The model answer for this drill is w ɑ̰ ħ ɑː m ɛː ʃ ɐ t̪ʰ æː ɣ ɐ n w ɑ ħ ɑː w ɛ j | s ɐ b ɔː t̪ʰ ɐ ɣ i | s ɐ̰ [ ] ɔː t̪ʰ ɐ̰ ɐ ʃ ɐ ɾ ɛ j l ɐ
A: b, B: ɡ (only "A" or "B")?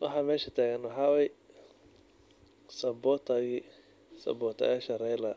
A